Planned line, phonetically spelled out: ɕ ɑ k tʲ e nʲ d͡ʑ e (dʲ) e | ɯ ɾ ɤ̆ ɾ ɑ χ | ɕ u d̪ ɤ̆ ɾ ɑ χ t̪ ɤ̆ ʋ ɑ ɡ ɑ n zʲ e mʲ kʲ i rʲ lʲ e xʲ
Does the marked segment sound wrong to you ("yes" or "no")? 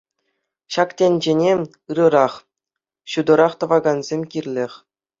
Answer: yes